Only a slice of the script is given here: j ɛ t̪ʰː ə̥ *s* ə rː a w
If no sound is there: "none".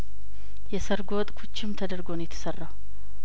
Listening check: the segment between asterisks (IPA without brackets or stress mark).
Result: s